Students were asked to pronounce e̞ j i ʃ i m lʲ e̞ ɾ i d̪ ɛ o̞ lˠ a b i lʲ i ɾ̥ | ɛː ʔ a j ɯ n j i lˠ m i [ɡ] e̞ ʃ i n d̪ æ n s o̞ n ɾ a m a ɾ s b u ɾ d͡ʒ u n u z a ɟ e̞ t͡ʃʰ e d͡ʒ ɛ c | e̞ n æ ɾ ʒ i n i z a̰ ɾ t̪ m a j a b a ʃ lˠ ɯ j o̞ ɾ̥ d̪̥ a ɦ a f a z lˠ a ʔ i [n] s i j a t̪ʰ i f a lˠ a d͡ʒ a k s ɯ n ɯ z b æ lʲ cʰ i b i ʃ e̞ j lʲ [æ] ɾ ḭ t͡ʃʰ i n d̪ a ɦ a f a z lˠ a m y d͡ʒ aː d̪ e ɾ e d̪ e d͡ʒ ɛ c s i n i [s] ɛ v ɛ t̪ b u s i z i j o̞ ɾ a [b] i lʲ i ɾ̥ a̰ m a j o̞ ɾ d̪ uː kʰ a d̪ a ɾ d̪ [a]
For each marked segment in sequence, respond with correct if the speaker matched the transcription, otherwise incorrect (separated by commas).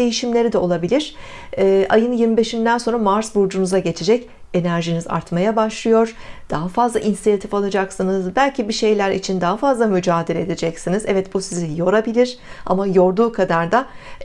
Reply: incorrect, correct, correct, incorrect, correct, correct